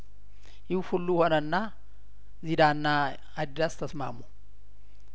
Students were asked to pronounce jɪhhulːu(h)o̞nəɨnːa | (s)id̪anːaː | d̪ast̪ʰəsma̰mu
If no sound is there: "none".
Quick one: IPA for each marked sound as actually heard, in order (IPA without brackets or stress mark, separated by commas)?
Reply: h, z